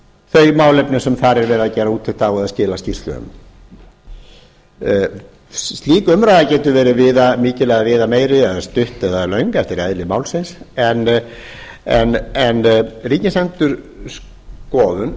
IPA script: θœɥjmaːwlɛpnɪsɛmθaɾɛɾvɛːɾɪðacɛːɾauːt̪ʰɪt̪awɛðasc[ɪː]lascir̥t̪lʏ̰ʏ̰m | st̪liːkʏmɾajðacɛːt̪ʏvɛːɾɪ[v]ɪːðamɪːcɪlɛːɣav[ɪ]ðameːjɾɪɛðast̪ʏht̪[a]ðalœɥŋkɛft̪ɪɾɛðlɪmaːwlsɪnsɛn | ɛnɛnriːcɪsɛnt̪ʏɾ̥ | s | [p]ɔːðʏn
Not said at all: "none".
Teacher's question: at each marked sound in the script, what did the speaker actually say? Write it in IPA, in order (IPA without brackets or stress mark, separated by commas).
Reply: ɪː, v, ɪː, ɛ, k